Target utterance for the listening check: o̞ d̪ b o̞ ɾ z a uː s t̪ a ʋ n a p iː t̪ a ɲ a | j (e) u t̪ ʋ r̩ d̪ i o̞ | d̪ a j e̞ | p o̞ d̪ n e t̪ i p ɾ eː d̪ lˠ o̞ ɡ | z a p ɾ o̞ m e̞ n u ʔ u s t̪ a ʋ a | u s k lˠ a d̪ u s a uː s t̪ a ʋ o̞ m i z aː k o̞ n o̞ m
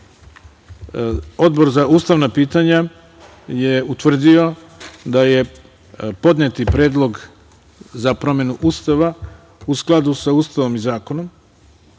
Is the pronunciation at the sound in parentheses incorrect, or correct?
correct